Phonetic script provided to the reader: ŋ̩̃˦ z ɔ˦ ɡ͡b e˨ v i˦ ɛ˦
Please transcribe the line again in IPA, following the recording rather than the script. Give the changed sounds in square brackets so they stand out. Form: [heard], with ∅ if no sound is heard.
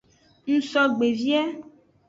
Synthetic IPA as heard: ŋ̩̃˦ [s] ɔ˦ ɡ͡b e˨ v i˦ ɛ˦

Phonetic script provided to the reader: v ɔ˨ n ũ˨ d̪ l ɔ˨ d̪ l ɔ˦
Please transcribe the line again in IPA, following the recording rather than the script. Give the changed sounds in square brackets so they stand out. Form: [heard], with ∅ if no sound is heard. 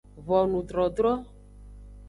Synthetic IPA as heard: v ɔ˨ n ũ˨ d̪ [ɾ] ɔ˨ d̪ [ɾ] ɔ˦

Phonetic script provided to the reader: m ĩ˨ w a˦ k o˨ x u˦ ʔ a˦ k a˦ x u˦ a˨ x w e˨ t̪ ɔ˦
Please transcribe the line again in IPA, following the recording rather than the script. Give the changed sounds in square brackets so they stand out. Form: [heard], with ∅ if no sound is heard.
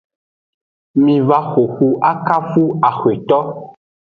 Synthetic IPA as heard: m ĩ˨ [v] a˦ [x] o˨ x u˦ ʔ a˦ k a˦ [f] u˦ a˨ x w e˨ t̪ ɔ˦

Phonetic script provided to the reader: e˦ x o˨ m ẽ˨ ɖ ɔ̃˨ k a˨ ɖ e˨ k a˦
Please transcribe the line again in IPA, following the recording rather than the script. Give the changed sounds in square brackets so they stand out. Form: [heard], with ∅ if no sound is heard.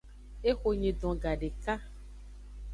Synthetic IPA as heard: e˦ x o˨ [ɲ] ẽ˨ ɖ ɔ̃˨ [ɡ] a˨ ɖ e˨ k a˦

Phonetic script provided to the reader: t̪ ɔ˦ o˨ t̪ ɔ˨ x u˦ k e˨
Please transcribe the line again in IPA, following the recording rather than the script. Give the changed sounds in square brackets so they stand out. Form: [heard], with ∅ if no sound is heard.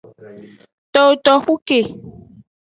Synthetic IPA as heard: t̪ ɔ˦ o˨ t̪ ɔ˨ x u˦ k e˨

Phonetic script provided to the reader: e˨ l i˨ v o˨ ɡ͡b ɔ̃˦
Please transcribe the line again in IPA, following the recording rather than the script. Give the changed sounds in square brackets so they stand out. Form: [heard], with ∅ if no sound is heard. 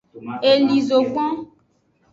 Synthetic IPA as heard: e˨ l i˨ [z] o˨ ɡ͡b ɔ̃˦

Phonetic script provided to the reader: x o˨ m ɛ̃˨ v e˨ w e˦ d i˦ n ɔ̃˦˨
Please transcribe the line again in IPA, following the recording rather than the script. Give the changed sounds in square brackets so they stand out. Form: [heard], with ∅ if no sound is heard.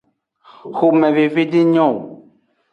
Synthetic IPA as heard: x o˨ m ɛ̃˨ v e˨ [v] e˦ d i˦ [ɲ] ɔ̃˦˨

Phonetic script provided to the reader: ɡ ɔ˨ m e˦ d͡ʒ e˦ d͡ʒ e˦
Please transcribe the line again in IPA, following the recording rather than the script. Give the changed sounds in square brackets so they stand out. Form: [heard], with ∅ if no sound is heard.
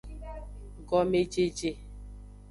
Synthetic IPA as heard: ɡ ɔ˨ m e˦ d͡ʒ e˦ d͡ʒ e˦

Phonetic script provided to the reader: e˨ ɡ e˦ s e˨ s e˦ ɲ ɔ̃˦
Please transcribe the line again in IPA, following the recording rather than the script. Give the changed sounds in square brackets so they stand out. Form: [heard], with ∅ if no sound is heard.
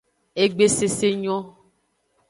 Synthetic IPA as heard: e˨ [ɡ͡b] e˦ s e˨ s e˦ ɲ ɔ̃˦

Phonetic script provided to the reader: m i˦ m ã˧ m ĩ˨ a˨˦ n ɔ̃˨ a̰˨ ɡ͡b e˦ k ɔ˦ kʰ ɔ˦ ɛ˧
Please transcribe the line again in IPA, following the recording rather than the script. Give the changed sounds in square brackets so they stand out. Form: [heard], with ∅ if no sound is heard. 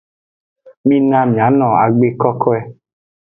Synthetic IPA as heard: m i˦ [n] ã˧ m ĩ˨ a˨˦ n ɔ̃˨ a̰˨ ɡ͡b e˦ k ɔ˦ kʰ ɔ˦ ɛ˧

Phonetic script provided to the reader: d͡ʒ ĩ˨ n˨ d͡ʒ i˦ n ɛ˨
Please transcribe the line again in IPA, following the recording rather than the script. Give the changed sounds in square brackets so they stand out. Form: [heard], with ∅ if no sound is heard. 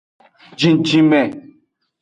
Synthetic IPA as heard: d͡ʒ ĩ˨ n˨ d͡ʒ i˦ [m] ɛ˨

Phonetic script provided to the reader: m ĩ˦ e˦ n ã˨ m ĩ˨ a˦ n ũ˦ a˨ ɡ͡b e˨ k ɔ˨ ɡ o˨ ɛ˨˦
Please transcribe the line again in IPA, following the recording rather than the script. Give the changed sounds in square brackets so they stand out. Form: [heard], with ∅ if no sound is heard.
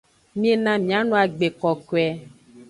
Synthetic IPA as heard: m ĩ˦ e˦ n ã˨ m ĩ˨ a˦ n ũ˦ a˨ ɡ͡b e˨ k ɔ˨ [k] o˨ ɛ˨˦

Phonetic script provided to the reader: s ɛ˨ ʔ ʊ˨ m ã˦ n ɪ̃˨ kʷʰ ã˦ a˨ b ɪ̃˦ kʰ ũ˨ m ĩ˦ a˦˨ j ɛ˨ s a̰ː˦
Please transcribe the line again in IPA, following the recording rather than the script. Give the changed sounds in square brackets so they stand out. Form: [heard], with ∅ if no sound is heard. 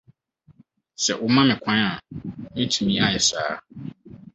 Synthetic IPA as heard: s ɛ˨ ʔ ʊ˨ m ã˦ [m] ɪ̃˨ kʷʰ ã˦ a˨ [m] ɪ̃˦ [tʰ] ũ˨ m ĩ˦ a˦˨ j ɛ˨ s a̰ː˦

